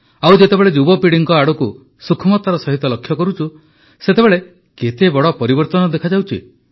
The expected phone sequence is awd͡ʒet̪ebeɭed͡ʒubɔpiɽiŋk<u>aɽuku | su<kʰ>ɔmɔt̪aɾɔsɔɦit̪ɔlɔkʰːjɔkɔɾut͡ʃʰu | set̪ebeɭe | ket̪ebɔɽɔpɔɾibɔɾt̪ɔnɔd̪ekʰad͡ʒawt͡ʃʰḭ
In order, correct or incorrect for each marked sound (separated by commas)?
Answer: incorrect, correct